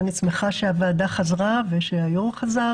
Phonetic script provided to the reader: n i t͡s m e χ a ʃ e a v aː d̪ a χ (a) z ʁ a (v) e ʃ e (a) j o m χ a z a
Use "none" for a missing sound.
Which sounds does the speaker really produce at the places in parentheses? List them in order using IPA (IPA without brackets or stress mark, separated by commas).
a, v, a